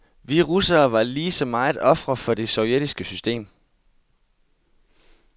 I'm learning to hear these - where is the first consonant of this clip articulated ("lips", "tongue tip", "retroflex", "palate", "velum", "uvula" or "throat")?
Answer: lips